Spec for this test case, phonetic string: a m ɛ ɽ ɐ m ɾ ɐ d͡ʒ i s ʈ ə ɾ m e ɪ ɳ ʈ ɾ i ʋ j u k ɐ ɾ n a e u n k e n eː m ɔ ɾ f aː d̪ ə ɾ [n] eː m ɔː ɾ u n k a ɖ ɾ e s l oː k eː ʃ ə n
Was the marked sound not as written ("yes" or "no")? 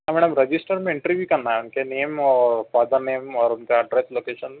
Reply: no